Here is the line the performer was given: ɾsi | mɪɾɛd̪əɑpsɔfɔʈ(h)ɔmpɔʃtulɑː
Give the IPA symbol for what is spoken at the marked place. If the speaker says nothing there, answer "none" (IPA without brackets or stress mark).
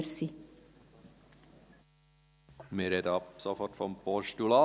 f